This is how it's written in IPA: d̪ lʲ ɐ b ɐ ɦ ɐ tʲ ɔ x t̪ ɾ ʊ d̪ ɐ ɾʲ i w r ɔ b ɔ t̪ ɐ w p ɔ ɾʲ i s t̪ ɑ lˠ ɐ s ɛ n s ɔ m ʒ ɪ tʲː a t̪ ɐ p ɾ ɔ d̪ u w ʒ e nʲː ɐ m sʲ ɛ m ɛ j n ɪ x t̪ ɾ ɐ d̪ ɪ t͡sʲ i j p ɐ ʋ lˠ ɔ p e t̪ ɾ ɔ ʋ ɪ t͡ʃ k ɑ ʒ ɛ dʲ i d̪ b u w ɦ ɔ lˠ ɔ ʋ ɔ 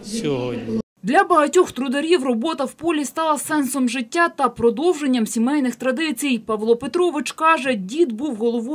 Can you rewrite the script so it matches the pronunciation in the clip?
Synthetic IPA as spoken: d̪ lʲ ɐ b ɐ ɦ ɐ tʲ ɔ x t̪ ɾ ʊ d̪ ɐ ɾʲ i w r ɔ b ɔ t̪ ɐ w p ɔ lʲ i s t̪ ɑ lˠ ɐ s ɛ n s ɔ m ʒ ɪ tʲː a t̪ ɐ p ɾ ɔ d̪ ɔ w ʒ e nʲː ɐ m sʲ i m ɛ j n ɪ x t̪ ɾ ɐ d̪ ɪ t͡sʲ i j p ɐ ʋ lˠ ɔ p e t̪ ɾ ɔ ʋ ɪ t͡ʃ k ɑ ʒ ɛ dʲ i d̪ b u w ɦ ɔ lˠ ɔ ʋ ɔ